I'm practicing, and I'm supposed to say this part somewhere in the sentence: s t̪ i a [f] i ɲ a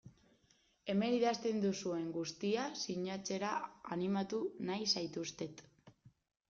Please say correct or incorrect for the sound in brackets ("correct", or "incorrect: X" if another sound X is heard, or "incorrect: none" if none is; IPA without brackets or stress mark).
incorrect: s